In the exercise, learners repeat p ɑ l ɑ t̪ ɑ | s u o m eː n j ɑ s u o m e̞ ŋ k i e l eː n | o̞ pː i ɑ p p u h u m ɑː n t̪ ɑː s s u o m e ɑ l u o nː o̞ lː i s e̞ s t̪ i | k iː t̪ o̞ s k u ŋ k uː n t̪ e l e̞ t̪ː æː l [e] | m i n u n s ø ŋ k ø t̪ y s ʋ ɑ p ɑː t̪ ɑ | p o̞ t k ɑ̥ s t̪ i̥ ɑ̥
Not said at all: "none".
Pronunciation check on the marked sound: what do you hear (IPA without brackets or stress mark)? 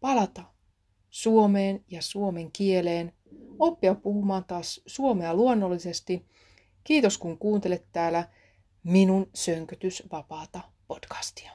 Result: æ